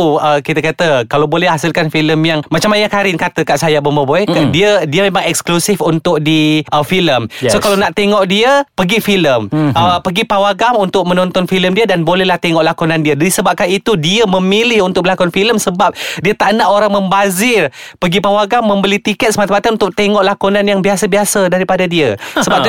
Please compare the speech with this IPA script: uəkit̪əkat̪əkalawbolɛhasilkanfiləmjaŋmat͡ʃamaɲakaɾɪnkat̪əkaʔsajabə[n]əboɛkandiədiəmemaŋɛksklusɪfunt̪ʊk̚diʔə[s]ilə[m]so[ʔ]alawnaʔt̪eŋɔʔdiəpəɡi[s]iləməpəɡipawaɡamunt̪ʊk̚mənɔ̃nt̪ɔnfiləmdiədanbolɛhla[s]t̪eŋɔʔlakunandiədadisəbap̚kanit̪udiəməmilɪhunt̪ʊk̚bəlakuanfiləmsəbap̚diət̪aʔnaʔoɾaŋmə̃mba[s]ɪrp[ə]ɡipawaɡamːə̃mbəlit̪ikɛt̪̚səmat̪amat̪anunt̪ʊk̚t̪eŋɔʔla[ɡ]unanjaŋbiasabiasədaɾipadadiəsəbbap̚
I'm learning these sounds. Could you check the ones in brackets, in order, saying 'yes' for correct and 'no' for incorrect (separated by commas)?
no, no, yes, no, no, no, no, yes, no